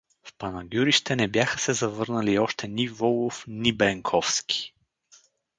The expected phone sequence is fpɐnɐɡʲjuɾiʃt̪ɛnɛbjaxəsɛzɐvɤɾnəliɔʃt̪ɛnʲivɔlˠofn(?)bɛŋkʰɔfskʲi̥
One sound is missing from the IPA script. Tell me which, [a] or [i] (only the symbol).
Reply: i